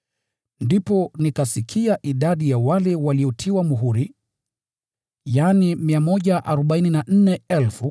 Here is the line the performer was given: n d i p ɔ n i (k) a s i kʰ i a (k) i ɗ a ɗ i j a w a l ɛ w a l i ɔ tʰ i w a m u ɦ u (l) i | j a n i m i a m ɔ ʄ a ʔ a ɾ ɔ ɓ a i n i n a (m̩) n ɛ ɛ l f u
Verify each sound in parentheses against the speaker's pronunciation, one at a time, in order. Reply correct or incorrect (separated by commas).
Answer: correct, incorrect, incorrect, incorrect